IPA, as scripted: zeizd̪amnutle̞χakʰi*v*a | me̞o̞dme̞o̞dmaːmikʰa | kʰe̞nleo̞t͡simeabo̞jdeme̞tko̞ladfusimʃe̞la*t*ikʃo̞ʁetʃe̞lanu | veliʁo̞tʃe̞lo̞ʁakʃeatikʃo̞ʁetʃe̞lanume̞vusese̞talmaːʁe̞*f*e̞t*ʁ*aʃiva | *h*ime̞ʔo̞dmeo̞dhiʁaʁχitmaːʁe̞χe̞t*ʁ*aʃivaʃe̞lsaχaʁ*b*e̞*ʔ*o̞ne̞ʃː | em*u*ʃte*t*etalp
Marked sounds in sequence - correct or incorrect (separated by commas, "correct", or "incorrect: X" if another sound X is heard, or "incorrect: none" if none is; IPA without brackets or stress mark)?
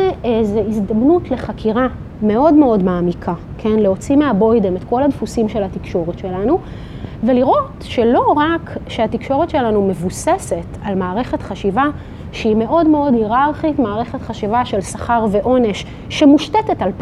incorrect: ʁ, correct, incorrect: χ, incorrect: χ, incorrect: ʃ, incorrect: χ, incorrect: v, correct, correct, correct